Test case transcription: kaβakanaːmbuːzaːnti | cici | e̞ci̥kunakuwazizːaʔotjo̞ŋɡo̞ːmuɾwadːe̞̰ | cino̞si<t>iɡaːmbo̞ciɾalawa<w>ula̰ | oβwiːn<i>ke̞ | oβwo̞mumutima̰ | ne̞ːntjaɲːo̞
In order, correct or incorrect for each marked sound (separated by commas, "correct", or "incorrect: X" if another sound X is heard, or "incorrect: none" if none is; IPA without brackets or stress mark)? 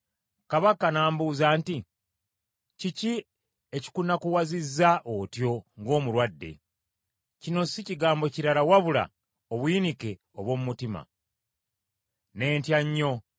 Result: incorrect: c, incorrect: β, correct